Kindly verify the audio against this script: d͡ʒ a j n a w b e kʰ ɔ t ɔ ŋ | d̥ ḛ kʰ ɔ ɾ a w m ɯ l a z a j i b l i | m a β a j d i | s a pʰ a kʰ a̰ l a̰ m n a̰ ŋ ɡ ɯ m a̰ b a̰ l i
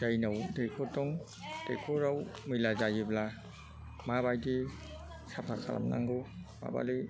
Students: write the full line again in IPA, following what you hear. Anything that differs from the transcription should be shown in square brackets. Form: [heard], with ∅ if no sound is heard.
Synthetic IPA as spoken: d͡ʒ a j n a w [d] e kʰ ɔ t ɔ ŋ | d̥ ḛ kʰ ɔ ɾ a w m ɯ l a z a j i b l [a] | m a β a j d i | s a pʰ a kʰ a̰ l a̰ m n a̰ ŋ ɡ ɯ m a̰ b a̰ l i